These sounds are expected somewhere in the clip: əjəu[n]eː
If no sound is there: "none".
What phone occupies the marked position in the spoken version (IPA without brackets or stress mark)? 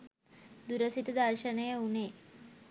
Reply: n